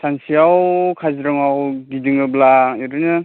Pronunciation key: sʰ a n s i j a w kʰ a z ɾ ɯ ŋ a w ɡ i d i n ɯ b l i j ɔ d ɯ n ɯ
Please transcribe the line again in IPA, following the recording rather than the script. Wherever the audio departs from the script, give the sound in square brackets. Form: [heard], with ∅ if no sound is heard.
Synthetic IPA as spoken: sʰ a n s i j a w kʰ a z ɾ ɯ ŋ a w ɡ i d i [ŋ] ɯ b l [a] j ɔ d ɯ n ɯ